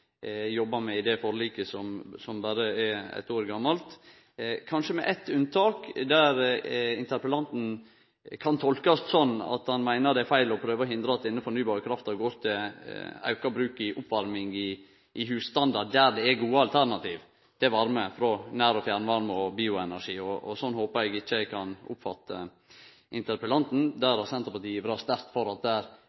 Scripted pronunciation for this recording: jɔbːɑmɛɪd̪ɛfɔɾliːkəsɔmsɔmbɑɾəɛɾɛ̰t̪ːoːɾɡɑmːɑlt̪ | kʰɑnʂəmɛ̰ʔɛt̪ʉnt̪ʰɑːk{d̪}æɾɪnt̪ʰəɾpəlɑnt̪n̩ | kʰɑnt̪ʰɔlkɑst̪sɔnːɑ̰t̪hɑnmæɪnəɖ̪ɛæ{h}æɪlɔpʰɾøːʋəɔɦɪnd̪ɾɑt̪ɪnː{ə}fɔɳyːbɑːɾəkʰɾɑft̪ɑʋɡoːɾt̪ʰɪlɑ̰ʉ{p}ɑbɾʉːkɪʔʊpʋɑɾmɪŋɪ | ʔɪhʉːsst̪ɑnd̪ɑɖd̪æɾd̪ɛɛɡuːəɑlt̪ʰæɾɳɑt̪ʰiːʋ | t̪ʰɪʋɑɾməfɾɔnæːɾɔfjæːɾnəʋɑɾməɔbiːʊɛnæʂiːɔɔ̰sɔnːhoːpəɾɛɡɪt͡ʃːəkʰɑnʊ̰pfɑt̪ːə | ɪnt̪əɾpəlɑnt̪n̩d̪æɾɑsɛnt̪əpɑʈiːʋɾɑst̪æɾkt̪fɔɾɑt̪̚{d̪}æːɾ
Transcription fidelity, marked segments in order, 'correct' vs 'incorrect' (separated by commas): correct, incorrect, correct, incorrect, correct